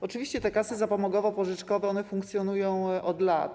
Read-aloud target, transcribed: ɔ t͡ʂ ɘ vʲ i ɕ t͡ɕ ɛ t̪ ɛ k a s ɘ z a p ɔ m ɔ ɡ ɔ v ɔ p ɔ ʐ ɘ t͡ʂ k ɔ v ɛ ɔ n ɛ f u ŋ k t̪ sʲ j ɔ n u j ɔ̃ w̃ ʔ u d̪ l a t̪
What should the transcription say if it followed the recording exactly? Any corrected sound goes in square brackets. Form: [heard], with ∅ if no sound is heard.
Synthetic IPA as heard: ɔ t͡ʂ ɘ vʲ i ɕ t͡ɕ ɛ t̪ ɛ k a s ɘ z a p ɔ m ɔ ɡ ɔ v ɔ p ɔ ʐ ɘ t͡ʂ k ɔ v ɛ ɔ n ɛ f u ŋ k t̪ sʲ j ɔ n u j ɔ̃ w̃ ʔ [ɔ] d̪ l a t̪